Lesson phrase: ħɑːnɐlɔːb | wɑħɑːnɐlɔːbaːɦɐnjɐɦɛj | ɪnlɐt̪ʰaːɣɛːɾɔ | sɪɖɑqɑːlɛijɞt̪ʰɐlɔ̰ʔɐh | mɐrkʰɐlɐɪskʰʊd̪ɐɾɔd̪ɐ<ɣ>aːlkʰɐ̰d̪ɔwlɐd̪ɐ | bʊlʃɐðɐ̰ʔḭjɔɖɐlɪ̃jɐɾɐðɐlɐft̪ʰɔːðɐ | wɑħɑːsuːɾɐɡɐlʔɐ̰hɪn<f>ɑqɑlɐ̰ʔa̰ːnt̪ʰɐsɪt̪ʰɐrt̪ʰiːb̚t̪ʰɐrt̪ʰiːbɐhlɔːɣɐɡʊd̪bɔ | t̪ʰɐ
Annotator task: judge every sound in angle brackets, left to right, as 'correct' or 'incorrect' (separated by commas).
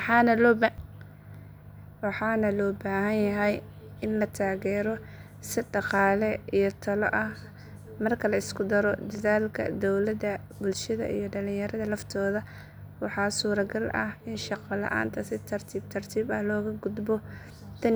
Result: incorrect, incorrect